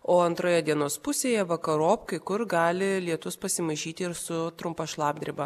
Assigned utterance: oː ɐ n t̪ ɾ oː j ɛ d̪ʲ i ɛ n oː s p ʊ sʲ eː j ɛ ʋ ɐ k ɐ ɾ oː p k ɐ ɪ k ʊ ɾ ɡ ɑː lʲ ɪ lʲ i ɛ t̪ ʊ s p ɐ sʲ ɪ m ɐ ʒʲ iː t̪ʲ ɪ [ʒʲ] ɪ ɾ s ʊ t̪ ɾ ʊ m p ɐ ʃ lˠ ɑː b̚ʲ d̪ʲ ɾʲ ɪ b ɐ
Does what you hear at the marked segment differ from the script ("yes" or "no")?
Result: yes